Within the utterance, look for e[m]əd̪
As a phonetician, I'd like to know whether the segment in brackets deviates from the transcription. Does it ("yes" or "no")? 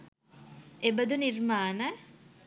yes